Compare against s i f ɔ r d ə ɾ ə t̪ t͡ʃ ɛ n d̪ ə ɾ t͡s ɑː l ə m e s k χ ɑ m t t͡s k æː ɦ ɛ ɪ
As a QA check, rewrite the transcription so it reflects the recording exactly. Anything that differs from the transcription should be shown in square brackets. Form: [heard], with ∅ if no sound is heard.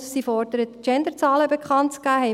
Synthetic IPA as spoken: s i f ɔ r d ə ɾ ə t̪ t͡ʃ ɛ n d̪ ə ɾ t͡s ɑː l ə [b] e [∅] k χ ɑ [n] t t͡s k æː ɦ ɛ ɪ